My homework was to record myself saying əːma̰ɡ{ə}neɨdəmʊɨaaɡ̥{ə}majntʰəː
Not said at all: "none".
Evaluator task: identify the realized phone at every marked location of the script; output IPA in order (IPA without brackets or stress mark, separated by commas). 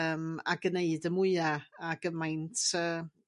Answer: ə, ə